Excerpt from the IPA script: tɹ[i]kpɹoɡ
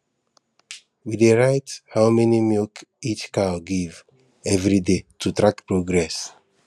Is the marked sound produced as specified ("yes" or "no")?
no